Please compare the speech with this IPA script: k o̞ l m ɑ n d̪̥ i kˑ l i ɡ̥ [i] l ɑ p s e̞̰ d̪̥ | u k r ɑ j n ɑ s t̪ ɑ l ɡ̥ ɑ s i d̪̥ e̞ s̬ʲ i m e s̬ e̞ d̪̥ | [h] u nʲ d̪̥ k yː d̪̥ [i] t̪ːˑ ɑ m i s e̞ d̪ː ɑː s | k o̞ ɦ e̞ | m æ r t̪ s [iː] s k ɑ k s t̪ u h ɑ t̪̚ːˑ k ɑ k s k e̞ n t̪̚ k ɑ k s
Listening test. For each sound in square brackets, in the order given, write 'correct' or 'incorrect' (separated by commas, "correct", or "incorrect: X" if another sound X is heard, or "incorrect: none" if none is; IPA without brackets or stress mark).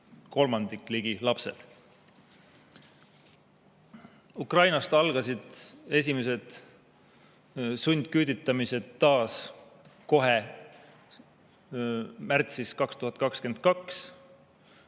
correct, incorrect: s, correct, incorrect: i